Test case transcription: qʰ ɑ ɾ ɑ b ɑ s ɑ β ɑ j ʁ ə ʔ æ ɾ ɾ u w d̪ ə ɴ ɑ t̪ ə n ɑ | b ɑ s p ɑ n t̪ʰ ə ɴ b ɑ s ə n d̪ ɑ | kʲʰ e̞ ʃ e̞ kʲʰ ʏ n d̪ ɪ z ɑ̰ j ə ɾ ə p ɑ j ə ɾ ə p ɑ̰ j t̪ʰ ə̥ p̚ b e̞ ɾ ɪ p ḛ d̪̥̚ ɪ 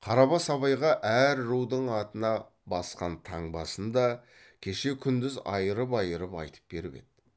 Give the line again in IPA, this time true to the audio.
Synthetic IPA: qʰ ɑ ɾ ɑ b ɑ s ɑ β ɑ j ʁ ɑ ʔ æ ɾ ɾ u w d̪ ə ɴ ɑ t̪ ə n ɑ | b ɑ s q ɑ n t̪ʰ ɑ ɴ b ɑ s ə n d̪ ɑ | kʲʰ e̞ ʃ e̞ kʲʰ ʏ n d̪ ɪ z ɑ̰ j ə ɾ ə p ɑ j ə ɾ ə p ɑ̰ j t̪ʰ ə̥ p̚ b e̞ ɾ ɪ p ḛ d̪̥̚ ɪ